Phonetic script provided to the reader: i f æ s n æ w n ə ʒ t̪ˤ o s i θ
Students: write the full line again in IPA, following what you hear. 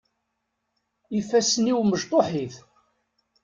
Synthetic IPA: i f æ s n i w m ə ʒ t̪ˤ o ħ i θ